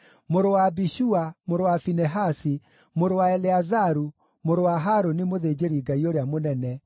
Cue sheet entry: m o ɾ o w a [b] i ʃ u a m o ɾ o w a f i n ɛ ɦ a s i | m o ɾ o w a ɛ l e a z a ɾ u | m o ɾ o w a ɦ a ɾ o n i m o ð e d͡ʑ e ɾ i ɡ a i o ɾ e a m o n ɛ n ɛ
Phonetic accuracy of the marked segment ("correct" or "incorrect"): correct